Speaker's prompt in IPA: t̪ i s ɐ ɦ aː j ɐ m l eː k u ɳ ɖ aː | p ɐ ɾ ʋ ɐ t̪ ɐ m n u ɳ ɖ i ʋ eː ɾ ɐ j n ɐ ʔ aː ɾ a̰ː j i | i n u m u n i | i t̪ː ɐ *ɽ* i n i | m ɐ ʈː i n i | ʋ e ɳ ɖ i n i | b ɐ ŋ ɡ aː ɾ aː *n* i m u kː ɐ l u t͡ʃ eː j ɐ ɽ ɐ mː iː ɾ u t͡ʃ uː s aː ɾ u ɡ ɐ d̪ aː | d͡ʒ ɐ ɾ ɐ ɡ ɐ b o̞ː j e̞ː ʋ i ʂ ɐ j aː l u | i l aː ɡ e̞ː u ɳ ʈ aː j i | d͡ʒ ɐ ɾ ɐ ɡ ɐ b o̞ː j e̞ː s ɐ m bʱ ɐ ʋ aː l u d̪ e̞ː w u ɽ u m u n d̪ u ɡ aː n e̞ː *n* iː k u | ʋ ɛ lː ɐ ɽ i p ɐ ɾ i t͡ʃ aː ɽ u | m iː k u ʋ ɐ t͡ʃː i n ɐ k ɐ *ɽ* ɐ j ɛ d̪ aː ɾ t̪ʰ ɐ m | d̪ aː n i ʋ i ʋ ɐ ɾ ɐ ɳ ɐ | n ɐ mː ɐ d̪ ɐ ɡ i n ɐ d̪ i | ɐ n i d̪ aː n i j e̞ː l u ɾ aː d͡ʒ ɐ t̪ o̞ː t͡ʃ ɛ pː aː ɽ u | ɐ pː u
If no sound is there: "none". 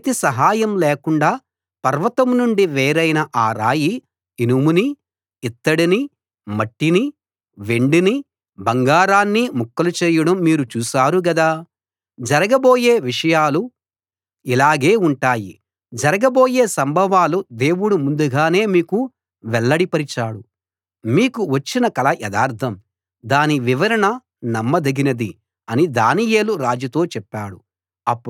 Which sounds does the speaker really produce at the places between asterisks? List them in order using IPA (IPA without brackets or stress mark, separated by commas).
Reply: ɽ, nː, m, l